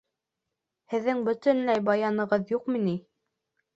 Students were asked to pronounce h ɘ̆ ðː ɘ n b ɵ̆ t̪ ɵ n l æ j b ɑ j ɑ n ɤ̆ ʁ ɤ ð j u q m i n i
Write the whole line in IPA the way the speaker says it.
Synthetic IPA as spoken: h ɘ̆ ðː ɘ ŋ b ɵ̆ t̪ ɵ n l æ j b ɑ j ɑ n ɤ̆ ʁ ɤ ð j u q m i n i